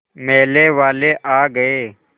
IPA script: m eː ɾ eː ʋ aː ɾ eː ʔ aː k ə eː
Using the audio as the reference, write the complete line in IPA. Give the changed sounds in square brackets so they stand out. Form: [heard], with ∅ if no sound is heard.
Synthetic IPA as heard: m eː [l] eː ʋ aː [l] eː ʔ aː [ɡ] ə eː